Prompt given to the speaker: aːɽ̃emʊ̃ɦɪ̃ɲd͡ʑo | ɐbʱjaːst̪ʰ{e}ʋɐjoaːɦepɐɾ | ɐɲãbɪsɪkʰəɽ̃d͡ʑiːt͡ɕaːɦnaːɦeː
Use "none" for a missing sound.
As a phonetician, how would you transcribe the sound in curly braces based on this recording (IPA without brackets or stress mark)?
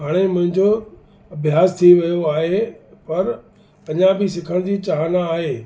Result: i